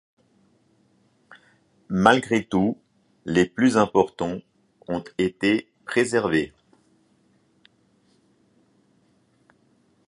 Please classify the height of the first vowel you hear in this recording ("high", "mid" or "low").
low